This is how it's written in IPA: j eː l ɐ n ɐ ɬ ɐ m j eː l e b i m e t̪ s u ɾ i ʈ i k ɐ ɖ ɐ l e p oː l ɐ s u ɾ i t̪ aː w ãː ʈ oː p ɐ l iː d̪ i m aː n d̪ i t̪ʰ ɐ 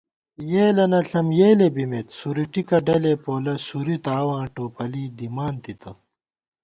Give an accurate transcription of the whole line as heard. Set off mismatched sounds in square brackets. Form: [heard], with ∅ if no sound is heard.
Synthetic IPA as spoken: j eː l ɐ n ɐ ɬ ɐ m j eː l e b i m e t̪ s u ɾ i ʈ i k ɐ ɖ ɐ l e p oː l ɐ s u ɾ i t̪ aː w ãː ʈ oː p ɐ l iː d̪ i m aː n [t̪] i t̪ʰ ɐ

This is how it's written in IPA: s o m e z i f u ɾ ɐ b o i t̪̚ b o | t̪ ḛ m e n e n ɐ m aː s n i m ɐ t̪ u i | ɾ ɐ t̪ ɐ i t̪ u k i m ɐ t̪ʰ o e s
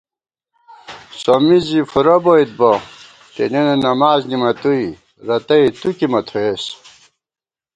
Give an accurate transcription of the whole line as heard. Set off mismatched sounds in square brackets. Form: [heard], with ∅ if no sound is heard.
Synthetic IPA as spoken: s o m [i] z i f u ɾ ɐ b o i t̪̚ b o | t̪ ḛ [n] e n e n ɐ m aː [z] n i m ɐ t̪ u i | ɾ ɐ t̪ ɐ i t̪ u k i m ɐ t̪ʰ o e s

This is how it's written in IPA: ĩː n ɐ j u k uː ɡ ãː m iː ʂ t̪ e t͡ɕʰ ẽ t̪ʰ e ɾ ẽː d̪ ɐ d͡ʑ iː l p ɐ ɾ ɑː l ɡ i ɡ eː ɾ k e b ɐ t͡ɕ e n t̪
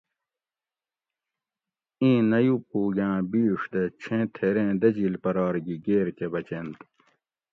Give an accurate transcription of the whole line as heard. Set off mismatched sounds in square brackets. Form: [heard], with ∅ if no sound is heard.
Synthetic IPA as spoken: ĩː n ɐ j u [p] uː ɡ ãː [b] iː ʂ [d̪] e t͡ɕʰ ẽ t̪ʰ e ɾ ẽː d̪ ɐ d͡ʑ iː l p ɐ ɾ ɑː [ɾ] ɡ i ɡ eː ɾ k e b ɐ t͡ɕ e n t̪

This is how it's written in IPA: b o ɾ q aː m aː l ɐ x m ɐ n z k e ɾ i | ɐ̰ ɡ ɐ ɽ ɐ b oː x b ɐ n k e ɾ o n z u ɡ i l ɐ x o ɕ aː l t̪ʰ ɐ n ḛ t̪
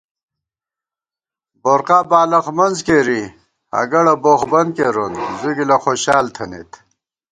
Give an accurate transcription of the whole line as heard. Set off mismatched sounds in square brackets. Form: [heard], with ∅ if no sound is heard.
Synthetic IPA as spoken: b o ɾ q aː [b] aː l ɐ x m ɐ n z k e ɾ i | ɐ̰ ɡ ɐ ɽ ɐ b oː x b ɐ n k e ɾ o n z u ɡ i l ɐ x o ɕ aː l t̪ʰ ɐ n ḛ t̪

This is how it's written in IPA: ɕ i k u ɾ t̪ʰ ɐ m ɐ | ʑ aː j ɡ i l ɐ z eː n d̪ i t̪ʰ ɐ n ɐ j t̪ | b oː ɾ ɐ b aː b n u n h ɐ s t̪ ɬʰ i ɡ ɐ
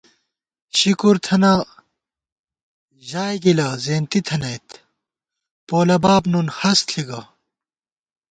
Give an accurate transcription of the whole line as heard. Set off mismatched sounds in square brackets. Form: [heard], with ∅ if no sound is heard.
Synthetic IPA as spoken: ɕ i k u ɾ t̪ʰ ɐ [n] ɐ | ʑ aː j ɡ i l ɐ z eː n [t̪] i t̪ʰ ɐ n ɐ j t̪ | [p] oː [l] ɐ b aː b n u n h ɐ s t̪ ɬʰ i ɡ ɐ

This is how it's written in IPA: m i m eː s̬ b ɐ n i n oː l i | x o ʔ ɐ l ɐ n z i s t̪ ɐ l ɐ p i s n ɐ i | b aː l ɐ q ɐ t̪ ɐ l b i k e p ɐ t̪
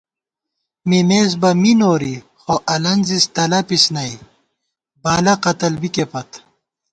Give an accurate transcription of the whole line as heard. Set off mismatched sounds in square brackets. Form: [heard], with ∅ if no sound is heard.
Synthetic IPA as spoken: m i m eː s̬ b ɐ [m] i n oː [ɾ] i | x o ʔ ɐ l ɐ n z i s t̪ ɐ l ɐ p i s n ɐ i | b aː l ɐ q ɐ t̪ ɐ l b i k e p ɐ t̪

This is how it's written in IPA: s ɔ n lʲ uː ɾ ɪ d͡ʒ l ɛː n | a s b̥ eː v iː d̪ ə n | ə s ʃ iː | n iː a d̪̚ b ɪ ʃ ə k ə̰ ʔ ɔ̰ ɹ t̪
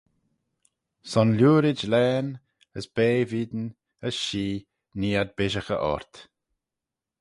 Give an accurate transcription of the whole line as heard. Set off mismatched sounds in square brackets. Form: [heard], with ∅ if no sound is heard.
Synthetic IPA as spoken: s ɔ n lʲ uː ɾ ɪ d͡ʒ l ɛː n | [ə] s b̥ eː v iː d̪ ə n | ə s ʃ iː | n iː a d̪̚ b ɪ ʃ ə [x] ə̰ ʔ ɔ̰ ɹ t̪

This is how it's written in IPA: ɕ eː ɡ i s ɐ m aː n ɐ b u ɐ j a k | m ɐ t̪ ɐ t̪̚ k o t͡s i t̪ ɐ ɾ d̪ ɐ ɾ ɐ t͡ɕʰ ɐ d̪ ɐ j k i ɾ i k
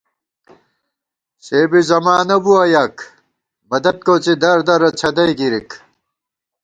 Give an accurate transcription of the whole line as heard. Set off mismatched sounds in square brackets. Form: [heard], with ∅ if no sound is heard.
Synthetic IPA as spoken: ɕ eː [b] i [z] ɐ m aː n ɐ b u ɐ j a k | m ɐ [d̪] ɐ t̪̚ k o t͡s i [d̪] ɐ ɾ d̪ ɐ ɾ ɐ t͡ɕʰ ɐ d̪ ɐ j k i ɾ i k

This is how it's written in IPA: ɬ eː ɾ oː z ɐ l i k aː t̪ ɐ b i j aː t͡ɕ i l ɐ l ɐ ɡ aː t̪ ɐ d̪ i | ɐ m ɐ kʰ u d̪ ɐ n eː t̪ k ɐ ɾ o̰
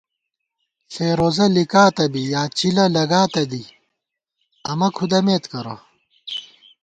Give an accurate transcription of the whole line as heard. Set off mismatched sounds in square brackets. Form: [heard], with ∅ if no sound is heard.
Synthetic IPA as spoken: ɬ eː ɾ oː z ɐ l i k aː t̪ ɐ b i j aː t͡ɕ i l ɐ l ɐ ɡ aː t̪ ɐ d̪ i | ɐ m ɐ kʰ u d̪ ɐ [m] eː t̪ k ɐ ɾ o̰

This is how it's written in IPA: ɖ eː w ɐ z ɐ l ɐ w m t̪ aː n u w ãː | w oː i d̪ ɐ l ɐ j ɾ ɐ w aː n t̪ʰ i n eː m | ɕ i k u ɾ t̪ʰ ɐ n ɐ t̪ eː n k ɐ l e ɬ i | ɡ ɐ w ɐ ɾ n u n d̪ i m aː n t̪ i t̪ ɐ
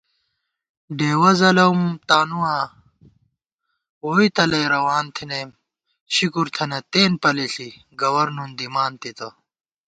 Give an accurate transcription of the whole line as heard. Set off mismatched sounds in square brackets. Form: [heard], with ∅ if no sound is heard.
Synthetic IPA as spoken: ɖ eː w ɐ z ɐ l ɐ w m t̪ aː n u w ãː | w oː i [t̪] ɐ l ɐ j ɾ ɐ w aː n t̪ʰ i n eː m | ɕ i k u ɾ t̪ʰ ɐ n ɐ t̪ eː n [p] ɐ l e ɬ i | ɡ ɐ w ɐ ɾ n u n d̪ i m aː n t̪ i t̪ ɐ

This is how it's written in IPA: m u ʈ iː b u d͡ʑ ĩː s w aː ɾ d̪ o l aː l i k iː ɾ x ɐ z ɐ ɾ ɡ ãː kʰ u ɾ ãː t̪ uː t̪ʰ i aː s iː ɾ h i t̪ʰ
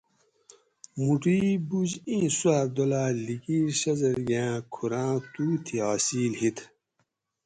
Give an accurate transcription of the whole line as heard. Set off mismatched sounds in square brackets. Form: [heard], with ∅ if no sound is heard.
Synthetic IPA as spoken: m u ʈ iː b u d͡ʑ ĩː s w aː ɾ d̪ o l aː l i k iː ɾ [ɕ] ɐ z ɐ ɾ ɡ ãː kʰ u ɾ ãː t̪ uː t̪ʰ i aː s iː [l] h i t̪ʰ

